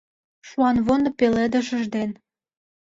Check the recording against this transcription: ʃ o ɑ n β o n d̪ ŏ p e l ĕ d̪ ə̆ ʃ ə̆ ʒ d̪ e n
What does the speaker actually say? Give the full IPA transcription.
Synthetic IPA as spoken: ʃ u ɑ n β o n d̪ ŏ p e l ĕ d̪ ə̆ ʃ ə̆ ʒ d̪ e n